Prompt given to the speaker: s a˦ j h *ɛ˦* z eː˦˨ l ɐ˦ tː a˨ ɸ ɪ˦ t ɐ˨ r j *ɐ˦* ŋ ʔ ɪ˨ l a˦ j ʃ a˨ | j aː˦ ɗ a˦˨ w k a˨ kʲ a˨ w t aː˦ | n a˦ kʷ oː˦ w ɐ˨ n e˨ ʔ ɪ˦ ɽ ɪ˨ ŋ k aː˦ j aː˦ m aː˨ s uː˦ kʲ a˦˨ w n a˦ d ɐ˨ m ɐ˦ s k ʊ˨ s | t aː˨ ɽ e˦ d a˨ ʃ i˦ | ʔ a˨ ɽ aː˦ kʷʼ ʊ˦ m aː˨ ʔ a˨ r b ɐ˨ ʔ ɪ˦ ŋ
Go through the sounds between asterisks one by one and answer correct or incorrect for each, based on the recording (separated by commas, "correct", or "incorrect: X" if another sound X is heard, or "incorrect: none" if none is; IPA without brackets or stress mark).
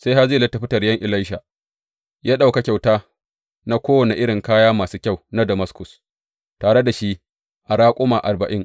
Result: incorrect: a˦, correct